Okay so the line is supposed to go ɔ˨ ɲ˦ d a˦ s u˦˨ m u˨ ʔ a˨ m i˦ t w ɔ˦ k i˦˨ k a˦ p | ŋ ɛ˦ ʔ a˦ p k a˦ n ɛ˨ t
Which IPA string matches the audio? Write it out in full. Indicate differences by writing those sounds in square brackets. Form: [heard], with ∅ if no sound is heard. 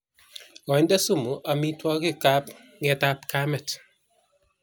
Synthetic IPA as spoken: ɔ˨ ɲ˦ d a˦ s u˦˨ m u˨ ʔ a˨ m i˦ t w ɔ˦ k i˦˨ k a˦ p | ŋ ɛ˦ [t] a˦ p k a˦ [m] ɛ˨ t